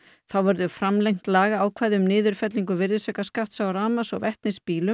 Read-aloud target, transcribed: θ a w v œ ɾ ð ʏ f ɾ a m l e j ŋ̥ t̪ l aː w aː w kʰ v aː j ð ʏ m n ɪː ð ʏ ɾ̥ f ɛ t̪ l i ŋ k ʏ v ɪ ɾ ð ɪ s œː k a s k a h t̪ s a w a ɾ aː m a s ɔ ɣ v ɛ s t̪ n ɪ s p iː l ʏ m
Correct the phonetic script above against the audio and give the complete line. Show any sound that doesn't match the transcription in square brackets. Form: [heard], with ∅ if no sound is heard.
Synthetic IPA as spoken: θ a w v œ ɾ ð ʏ f ɾ a m l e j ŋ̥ t̪ l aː [ɣ] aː w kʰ v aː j ð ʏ m n ɪː ð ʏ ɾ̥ f ɛ t̪ l i ŋ k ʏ v ɪ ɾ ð ɪ s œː k a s k a h t̪ s a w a ɾ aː m a s ɔ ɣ v ɛ [h] t̪ n ɪ s p iː l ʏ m